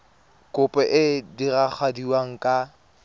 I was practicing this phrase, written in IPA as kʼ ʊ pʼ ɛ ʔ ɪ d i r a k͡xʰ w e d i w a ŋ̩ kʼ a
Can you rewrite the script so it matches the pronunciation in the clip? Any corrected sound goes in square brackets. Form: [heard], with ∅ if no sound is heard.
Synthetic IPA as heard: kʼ ʊ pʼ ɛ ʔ ɪ d i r a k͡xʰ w [a] d i w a ŋ̩ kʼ a